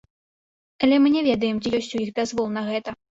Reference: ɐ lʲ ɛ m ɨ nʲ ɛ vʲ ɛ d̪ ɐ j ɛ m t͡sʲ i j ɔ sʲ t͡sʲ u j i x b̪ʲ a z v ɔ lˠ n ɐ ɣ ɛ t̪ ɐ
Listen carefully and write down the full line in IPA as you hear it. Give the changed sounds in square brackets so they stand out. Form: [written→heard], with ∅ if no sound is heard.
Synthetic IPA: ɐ lʲ ɛ m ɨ nʲ ɛ vʲ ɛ d̪ ɐ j ɛ m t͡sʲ i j ɔ sʲ t͡sʲ u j i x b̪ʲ a z v ɔ lˠ n ɐ ɣ ɛ t̪ ɐ